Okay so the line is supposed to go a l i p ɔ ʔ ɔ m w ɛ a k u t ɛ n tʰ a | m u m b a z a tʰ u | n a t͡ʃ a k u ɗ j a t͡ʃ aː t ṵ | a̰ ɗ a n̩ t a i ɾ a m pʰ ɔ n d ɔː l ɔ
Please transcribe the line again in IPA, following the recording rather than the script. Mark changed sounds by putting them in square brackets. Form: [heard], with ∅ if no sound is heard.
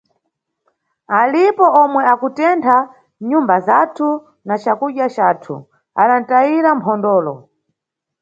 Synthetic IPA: a l i p ɔ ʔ ɔ m w ɛ a k u t ɛ n tʰ a | [ɲ] u m b a z a tʰ u | n a t͡ʃ a k u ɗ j a t͡ʃ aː [tʰ] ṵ | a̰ ɗ a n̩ t a i ɾ a m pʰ ɔ n d ɔː l ɔ